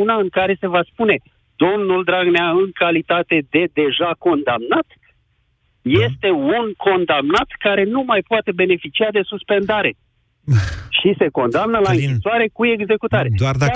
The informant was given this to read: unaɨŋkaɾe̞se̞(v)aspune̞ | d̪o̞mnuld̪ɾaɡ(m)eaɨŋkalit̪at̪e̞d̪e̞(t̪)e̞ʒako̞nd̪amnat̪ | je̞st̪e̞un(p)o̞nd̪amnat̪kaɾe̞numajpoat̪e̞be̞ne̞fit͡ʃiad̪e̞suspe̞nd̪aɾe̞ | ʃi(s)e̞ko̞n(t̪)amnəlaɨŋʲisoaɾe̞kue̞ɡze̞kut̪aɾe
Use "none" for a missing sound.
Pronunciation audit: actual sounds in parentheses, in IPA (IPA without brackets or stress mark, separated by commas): v, n, d̪, k, s, d̪